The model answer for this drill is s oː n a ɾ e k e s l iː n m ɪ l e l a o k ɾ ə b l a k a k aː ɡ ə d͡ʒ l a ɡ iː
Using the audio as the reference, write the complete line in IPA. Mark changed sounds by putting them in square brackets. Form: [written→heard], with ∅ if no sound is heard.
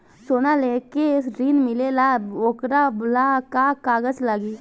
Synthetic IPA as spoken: s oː n a [ɾ→l] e k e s [l→ɾ] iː n m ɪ l e l a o k ɾ [ə→a] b l a k a k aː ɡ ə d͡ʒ l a ɡ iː